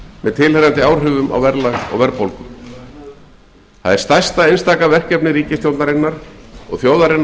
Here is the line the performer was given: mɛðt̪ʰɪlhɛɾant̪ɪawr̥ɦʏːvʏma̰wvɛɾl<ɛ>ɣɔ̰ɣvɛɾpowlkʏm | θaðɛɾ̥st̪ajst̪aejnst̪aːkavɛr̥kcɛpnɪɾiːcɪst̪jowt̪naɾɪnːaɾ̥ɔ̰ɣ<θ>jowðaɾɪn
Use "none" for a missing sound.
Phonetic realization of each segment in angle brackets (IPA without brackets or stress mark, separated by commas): a, θ